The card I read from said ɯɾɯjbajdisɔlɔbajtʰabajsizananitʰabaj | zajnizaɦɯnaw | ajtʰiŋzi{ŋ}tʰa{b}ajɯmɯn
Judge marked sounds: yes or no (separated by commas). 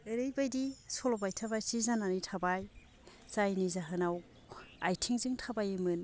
yes, yes